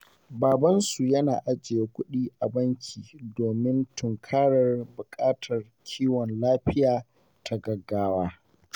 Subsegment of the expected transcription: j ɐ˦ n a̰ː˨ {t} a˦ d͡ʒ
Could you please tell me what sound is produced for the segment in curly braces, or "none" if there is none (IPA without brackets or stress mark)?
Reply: ʔ